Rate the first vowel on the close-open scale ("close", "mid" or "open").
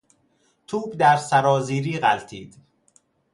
close